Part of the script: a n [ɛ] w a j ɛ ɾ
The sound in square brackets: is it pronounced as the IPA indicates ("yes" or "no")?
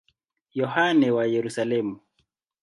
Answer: yes